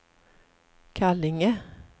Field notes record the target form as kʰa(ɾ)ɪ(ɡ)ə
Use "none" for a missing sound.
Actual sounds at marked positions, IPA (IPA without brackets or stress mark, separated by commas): l, ŋ